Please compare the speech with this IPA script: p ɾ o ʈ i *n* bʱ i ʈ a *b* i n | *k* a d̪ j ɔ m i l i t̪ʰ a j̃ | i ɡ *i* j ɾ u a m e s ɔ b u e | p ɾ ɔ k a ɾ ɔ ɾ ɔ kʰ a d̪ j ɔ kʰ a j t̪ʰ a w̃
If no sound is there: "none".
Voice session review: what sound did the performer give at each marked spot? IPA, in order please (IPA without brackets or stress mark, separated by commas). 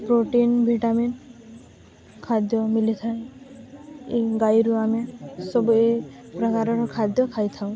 n, m, kʰ, a